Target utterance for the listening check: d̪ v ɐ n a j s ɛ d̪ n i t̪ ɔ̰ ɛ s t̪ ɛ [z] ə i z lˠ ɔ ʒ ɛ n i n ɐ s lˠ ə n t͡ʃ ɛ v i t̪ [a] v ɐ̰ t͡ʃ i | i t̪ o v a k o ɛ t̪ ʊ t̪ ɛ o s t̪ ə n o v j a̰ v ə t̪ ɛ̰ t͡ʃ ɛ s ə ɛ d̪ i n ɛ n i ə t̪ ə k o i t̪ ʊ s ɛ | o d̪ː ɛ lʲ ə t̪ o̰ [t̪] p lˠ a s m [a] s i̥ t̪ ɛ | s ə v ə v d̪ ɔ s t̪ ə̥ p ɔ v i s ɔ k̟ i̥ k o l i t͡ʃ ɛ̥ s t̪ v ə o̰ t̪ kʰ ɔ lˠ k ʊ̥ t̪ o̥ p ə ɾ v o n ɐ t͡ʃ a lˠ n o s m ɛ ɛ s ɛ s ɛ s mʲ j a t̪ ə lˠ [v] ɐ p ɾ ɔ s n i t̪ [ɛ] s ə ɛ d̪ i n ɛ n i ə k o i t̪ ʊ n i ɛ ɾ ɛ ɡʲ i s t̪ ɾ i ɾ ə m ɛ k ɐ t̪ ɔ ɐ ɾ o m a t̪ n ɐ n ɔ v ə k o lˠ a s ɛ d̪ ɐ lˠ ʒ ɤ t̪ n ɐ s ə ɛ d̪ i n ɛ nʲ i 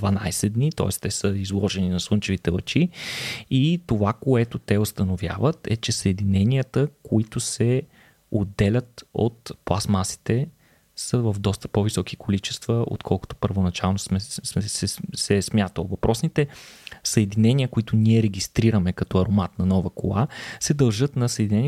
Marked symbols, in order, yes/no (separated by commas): no, no, yes, yes, yes, yes